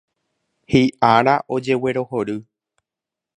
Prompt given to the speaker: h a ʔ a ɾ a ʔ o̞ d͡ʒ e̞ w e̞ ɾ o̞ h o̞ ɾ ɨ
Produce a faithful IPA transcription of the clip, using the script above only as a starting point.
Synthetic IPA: h i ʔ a ɾ a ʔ o̞ d͡ʒ e̞ w e̞ ɾ o̞ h o̞ ɾ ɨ